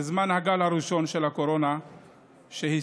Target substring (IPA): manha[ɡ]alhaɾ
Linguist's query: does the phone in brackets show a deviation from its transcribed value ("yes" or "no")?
no